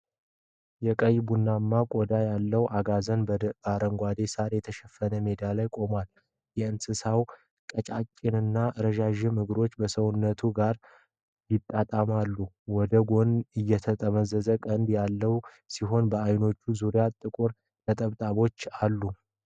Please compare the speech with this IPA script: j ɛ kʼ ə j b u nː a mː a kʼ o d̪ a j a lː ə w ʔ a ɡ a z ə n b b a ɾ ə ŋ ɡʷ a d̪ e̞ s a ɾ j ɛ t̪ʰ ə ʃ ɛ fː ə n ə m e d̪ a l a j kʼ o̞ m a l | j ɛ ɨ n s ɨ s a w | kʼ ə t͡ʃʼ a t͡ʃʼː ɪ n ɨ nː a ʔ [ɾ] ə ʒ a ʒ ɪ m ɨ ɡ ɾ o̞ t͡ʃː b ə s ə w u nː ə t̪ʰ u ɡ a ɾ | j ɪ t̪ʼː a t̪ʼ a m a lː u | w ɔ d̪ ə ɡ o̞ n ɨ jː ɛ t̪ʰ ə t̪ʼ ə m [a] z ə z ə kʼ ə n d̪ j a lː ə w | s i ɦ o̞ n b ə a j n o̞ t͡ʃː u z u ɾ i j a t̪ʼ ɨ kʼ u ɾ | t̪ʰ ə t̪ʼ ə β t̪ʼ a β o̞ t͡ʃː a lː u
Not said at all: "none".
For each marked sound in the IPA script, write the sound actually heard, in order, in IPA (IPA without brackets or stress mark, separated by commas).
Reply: ɾ, ə